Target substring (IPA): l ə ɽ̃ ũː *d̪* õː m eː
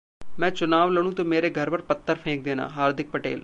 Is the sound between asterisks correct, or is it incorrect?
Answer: incorrect